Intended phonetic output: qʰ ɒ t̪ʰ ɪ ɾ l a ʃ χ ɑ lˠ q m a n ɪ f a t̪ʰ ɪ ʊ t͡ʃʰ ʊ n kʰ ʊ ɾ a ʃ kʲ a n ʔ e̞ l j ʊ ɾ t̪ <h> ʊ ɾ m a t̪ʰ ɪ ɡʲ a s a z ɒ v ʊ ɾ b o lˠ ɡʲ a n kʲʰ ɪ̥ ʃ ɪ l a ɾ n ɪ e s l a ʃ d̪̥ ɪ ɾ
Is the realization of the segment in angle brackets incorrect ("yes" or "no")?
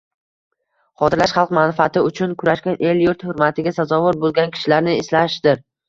no